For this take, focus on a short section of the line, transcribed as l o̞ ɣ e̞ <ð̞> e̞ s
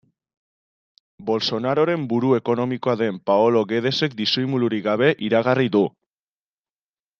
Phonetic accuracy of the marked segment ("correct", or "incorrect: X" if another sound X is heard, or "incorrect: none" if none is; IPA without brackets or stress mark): correct